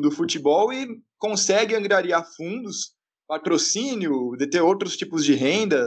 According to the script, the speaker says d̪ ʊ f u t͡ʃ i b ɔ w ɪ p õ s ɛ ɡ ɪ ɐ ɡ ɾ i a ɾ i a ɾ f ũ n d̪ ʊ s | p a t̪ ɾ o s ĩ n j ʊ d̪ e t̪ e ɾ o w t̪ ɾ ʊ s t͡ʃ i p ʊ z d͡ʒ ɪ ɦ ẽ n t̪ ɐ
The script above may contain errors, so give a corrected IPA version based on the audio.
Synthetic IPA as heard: d̪ ʊ f u t͡ʃ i b ɔ w ɪ k õ s ɛ ɡ ɪ ɐ̃ ɡ ɾ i a ɾ i a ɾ f ũ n d̪ ʊ s | p a t̪ ɾ o s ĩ n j ʊ d̪ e t̪ e ɾ o w t̪ ɾ ʊ s t͡ʃ i p ʊ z d͡ʒ ɪ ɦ ẽ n d̪ ɐ